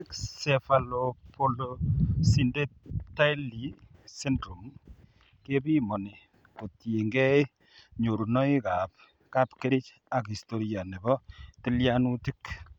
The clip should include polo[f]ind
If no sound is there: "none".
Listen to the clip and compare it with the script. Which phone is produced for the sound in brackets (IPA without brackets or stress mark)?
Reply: s